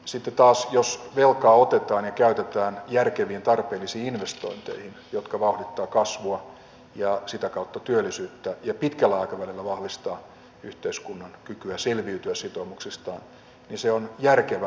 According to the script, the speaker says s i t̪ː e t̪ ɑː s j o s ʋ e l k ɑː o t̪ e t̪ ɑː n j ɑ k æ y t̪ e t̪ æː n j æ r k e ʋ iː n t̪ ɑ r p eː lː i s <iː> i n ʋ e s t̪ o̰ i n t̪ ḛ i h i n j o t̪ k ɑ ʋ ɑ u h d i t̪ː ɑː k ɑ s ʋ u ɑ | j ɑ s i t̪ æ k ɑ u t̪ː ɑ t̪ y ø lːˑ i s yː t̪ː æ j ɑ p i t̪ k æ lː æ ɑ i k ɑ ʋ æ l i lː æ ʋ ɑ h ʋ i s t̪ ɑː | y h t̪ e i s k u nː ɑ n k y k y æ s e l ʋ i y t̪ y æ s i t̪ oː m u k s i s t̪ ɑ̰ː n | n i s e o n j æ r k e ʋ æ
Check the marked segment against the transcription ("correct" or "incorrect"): correct